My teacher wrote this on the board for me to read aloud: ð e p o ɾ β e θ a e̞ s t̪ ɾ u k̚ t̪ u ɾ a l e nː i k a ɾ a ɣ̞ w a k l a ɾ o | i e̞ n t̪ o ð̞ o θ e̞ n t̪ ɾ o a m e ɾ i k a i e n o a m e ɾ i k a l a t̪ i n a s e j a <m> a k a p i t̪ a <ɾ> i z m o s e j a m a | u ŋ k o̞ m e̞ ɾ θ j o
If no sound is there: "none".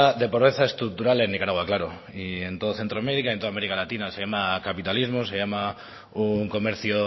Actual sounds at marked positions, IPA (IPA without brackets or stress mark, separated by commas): m, l